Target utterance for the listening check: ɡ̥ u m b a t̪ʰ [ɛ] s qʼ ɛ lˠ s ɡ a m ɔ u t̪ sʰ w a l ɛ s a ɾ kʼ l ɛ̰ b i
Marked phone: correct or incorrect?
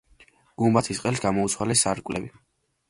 incorrect: i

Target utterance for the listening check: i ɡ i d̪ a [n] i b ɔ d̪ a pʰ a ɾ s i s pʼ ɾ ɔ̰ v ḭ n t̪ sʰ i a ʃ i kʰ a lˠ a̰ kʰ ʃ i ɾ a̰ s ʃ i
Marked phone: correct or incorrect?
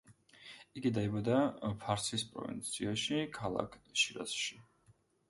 incorrect: none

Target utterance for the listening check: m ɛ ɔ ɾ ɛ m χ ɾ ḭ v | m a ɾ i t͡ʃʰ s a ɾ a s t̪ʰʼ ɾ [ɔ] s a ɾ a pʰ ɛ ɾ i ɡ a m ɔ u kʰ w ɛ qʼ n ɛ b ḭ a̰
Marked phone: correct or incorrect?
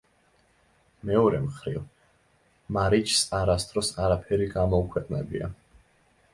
correct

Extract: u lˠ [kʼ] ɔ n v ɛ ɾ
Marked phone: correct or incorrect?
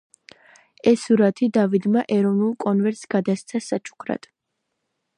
correct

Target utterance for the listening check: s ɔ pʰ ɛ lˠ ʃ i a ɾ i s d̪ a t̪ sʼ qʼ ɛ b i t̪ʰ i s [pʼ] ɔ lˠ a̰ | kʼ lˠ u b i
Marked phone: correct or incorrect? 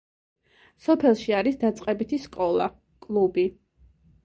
incorrect: kʼ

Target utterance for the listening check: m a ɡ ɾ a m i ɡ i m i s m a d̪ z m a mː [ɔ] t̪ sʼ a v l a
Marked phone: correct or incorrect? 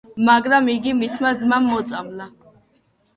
correct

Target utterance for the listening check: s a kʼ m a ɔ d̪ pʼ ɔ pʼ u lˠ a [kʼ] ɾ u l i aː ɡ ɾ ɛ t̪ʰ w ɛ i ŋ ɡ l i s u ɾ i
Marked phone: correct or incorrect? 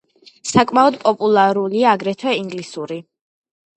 incorrect: none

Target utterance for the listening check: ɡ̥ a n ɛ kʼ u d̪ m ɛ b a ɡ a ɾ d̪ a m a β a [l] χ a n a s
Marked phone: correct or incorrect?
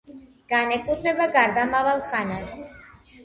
correct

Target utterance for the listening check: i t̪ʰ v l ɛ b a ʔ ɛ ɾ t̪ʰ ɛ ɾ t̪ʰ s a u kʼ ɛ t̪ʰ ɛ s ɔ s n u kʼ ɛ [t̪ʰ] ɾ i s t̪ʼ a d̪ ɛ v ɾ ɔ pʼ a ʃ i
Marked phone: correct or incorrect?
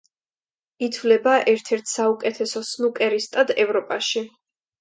incorrect: none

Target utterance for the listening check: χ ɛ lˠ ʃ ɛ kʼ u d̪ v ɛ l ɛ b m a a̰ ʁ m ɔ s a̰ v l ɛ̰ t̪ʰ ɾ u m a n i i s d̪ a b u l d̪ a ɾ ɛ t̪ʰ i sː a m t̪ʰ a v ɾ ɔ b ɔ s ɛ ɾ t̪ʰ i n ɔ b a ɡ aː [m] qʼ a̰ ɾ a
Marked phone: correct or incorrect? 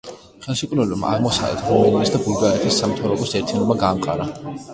correct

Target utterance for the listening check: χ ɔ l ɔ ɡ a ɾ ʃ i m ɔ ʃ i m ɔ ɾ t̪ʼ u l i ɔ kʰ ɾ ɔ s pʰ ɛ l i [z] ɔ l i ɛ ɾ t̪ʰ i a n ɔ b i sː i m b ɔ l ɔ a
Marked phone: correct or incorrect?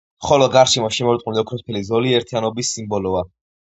correct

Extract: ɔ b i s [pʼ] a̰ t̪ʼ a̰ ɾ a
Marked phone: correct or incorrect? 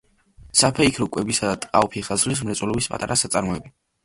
correct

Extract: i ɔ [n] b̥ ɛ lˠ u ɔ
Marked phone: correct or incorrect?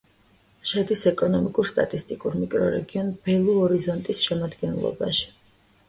correct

